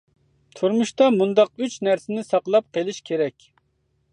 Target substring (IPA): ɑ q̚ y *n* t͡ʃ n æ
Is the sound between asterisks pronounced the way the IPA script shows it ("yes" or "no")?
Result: no